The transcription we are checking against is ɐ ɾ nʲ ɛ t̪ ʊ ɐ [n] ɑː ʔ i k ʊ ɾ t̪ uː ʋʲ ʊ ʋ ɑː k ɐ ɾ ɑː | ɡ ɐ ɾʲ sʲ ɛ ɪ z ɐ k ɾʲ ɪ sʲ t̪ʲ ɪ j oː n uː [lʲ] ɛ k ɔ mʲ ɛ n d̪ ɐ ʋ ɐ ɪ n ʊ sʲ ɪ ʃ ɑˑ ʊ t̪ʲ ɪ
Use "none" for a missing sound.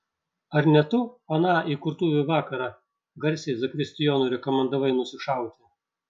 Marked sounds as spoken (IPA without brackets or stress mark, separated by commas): n, ɾʲ